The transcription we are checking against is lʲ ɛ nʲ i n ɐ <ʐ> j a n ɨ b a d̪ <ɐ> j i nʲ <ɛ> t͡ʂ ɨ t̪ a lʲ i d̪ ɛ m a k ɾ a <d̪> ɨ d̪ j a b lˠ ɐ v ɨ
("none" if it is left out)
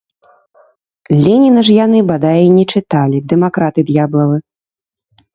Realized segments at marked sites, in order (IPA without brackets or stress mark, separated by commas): ʐ, a, ɛ, t̪